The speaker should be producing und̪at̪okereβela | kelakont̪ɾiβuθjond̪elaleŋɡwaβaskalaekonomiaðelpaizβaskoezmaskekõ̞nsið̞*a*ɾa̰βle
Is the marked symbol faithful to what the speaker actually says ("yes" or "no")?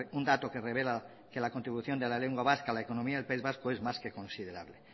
no